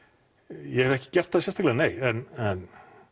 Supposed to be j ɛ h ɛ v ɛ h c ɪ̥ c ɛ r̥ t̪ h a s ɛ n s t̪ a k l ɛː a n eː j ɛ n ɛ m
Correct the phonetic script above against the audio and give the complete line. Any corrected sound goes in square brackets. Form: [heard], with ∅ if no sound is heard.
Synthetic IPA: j ɛ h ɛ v ɛ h c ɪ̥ c ɛ r̥ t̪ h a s ɛ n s t̪ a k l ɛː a n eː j ɛ n ɛ [n]